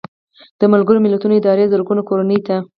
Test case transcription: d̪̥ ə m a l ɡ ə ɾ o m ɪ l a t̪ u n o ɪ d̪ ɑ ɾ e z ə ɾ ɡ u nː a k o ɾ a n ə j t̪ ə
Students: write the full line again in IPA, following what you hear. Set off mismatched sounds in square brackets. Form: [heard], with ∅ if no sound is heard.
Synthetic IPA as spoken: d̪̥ ə m a l ɡ ə ɾ o m ɪ l a t̪ u n o ɪ d̪ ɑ ɾ e z ə ɾ ɡ u [n] a k o ɾ a n ə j t̪ [a]

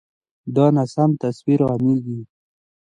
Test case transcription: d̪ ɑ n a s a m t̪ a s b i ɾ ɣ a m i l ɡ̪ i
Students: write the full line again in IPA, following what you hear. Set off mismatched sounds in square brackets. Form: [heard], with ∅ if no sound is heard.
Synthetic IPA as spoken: d̪ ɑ n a s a m t̪ a s [w] i ɾ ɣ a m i l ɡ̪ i

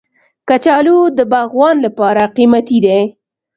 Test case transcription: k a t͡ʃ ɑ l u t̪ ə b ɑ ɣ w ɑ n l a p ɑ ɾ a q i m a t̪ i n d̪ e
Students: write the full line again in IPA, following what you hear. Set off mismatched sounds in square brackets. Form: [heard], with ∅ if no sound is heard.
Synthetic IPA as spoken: k a t͡ʃ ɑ l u [d̪] ə b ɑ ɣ w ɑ n l a p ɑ ɾ a q i m a t̪ i [∅] d̪ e

